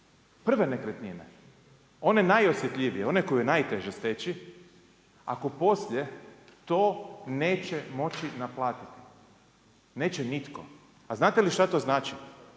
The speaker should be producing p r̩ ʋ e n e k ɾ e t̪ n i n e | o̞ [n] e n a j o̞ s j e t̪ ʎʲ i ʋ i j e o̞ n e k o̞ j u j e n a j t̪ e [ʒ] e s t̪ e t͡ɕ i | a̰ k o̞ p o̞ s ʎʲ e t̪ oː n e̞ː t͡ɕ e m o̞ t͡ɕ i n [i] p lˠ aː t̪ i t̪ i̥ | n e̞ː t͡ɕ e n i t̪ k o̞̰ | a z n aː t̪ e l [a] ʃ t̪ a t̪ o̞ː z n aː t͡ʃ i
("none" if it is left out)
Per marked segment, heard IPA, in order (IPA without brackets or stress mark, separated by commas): n, ʒ, a, i